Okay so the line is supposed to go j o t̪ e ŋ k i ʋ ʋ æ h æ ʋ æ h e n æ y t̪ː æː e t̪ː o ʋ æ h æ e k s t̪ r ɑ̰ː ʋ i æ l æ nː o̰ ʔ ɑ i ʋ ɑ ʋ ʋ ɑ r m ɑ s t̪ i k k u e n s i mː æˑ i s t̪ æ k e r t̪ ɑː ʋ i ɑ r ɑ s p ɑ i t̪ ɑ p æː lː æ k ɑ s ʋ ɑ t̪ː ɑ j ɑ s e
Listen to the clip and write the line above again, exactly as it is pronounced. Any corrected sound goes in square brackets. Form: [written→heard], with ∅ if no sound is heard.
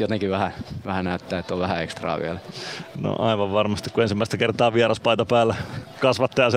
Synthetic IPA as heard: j o t̪ e ŋ k i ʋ ʋ æ h æ ʋ æ h [e→æ] n æ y t̪ː æː e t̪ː o ʋ æ h æ e k s t̪ r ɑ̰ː ʋ i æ l æ [nː→n] o̰ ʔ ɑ i ʋ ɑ ʋ ʋ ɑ r m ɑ s t̪ i k k u e n s i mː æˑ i s t̪ æ k e r t̪ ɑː ʋ i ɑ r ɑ s p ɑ i t̪ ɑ p æː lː æ k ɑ s ʋ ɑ t̪ː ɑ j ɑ s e